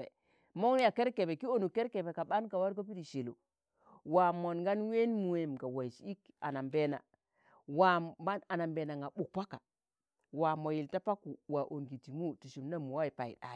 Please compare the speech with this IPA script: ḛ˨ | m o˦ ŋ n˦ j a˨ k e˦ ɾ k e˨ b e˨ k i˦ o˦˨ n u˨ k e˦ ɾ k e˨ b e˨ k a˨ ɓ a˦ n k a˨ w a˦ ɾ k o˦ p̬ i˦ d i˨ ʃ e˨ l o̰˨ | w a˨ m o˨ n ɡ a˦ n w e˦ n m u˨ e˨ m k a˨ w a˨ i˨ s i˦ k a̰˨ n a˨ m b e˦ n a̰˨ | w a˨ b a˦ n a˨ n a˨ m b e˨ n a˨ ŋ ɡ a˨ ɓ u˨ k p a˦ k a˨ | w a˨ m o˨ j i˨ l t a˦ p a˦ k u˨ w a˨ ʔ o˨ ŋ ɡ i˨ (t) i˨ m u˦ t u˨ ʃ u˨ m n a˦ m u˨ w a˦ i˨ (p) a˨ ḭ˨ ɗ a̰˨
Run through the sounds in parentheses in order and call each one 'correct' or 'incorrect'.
correct, correct

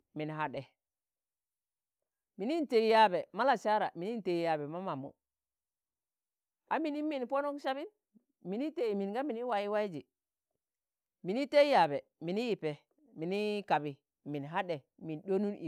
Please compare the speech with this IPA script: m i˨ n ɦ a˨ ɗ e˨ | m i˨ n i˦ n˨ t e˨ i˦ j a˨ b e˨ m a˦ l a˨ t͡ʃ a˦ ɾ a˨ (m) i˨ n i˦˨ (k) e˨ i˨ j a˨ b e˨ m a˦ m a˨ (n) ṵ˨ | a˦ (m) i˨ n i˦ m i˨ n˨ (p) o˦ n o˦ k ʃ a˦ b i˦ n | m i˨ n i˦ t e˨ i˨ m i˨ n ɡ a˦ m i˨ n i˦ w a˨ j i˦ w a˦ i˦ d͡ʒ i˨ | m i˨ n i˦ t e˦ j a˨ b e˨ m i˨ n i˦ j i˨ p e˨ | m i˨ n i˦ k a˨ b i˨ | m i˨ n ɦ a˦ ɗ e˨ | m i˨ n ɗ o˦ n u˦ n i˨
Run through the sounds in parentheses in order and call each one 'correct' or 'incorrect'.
correct, incorrect: t, incorrect: m, correct, correct

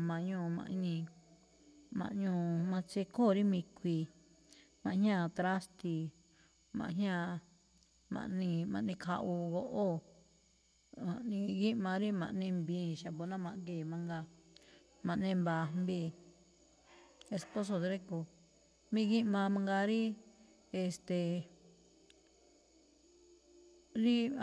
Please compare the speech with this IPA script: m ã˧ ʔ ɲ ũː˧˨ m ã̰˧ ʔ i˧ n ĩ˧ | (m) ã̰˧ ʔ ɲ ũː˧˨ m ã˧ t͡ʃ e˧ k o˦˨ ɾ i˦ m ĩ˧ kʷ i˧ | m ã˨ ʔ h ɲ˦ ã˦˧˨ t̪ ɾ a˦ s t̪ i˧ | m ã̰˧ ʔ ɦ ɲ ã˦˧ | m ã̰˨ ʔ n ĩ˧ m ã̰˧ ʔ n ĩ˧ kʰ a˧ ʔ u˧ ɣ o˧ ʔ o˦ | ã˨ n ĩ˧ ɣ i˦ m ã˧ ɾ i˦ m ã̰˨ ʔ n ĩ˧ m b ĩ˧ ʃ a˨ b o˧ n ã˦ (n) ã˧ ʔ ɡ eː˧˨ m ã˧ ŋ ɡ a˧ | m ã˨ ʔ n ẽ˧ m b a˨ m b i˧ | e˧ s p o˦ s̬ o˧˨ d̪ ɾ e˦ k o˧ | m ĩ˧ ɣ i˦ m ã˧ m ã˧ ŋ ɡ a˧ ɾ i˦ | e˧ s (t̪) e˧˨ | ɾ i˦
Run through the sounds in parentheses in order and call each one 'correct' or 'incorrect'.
correct, incorrect: m, correct

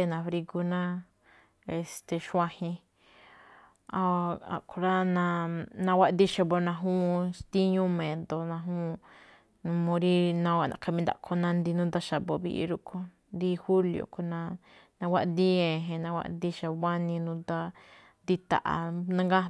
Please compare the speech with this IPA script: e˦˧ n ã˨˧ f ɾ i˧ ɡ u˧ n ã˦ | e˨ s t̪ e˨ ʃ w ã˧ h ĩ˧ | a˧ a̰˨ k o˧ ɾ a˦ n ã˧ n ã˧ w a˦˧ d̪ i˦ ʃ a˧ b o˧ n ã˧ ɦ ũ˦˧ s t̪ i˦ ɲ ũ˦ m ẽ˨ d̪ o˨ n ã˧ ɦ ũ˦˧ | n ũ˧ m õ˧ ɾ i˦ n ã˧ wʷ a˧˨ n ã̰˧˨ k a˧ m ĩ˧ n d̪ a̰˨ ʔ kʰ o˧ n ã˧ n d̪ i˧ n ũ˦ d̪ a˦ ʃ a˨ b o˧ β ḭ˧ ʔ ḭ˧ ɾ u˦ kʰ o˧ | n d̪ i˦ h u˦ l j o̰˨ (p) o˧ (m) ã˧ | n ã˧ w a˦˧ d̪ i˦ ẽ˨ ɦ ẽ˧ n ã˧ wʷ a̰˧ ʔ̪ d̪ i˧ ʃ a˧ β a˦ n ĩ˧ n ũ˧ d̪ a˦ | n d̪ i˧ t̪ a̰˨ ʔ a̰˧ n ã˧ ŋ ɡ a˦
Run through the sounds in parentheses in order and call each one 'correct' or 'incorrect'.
incorrect: k, incorrect: n

